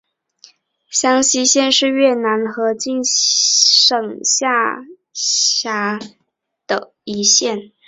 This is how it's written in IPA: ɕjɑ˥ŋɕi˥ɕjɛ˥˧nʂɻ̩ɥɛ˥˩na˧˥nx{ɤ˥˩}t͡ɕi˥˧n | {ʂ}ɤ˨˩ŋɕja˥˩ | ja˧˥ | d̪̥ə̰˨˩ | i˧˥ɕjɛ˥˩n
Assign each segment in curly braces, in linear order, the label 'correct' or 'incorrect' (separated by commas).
incorrect, correct